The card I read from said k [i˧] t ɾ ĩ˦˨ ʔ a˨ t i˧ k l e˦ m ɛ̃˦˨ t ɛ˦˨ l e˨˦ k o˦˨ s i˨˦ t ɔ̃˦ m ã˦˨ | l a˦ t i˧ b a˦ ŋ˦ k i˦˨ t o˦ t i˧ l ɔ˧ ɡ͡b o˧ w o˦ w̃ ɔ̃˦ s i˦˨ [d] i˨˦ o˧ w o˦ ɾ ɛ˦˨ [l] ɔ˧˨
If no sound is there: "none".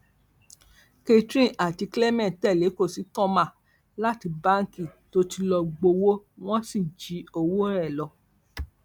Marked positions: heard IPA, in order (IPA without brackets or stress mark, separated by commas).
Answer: e˧, d͡ʒ, l